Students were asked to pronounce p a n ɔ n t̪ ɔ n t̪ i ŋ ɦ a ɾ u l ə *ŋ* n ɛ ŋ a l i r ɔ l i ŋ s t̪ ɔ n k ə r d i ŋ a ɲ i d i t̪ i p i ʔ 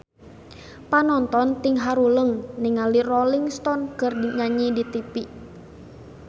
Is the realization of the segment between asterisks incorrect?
no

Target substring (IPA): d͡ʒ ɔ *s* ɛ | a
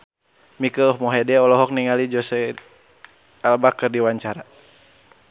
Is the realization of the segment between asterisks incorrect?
no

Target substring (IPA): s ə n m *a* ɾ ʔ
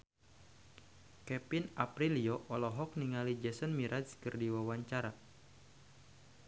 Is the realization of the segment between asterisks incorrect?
yes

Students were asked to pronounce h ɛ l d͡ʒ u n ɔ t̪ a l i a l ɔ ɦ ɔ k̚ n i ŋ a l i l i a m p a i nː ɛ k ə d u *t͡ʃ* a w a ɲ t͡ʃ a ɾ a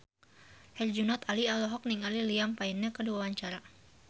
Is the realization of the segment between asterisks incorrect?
yes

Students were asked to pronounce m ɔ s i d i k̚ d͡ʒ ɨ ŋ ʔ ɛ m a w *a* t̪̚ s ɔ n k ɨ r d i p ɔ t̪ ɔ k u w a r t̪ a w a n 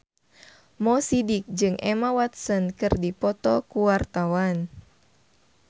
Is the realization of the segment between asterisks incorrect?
no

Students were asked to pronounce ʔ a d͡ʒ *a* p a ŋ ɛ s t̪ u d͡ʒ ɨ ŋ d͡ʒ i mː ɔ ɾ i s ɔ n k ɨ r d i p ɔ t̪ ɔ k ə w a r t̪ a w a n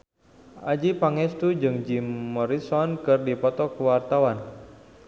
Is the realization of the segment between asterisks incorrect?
yes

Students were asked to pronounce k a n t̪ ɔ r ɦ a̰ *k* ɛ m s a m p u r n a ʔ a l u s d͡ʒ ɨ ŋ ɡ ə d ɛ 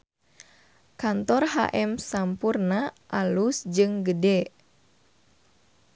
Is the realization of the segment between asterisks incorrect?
yes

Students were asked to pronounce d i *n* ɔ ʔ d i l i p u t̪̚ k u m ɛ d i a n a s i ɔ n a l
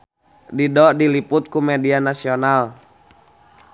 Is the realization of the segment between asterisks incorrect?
yes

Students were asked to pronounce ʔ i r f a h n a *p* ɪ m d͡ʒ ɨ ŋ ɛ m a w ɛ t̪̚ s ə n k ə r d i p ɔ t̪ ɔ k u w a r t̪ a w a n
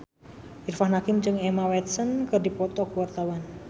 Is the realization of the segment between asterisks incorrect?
yes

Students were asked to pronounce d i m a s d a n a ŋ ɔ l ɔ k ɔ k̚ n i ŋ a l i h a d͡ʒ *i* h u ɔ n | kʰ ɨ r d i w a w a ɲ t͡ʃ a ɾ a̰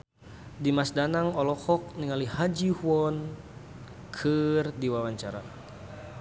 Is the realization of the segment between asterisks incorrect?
no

